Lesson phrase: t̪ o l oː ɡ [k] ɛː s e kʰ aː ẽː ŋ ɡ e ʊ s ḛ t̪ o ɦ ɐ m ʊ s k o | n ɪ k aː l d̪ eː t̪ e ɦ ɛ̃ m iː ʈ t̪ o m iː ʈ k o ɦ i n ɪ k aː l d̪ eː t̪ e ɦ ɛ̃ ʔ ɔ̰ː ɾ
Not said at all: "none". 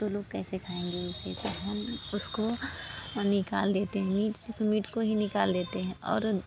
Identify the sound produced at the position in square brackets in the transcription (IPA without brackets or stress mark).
k